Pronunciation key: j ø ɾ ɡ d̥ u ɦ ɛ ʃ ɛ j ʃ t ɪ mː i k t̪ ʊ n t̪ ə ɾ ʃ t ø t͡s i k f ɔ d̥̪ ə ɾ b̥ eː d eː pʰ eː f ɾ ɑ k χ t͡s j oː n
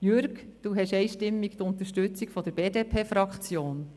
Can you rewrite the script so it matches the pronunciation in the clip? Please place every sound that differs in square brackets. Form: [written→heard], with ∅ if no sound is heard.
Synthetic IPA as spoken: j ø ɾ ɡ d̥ u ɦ ɛ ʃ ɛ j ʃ t ɪ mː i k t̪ ʊ n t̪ ə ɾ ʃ t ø t͡s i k f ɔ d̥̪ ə ɾ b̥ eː d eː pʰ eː f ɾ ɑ k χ t͡s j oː n